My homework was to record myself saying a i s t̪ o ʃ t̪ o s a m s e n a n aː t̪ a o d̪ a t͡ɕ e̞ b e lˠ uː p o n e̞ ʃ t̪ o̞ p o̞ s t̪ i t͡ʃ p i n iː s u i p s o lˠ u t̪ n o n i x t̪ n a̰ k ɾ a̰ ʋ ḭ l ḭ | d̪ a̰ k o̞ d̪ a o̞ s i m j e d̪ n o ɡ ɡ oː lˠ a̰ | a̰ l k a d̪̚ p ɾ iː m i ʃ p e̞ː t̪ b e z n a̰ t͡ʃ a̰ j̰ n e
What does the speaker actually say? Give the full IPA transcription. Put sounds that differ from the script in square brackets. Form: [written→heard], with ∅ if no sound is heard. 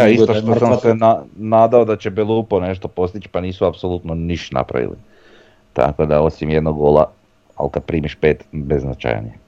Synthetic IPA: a i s t̪ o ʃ t̪ o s a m s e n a n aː [t̪→d̪] a o d̪ a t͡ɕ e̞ b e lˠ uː p o n e̞ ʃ t̪ o̞ p o̞ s t̪ i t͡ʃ p [i→a] n iː s u [i→a] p s o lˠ u t̪ n o n i [x→ʃ] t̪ n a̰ [k→p] ɾ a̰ ʋ ḭ l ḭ | [d̪→t̪] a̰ k o̞ d̪ a o̞ s i m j e d̪ n o ɡ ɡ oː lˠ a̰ | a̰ l k a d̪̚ p ɾ iː m i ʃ p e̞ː t̪ b e z n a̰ t͡ʃ a̰ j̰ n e